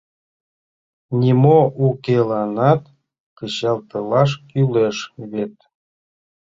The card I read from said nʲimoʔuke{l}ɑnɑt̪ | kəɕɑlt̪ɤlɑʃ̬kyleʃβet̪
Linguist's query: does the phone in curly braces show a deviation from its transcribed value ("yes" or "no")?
no